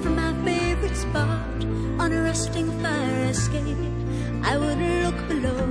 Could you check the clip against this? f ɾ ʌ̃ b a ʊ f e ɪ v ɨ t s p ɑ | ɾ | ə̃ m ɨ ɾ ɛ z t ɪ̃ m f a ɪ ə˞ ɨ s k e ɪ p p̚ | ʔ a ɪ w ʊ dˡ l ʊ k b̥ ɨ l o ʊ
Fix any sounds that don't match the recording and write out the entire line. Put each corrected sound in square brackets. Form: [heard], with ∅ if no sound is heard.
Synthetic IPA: f [ɹ] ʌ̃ [m] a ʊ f e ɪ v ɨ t s p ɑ | ɾ | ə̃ [n] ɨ [ɹ] ɛ [s] t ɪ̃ [ŋ] f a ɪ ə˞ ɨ s k e ɪ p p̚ | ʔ a ɪ w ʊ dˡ l ʊ k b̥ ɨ l o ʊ